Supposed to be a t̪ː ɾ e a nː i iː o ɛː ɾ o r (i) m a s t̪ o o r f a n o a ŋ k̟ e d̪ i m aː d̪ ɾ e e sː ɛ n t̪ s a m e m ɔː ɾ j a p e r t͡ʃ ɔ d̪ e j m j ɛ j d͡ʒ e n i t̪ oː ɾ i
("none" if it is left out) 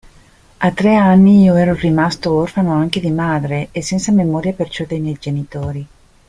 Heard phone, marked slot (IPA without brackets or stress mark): i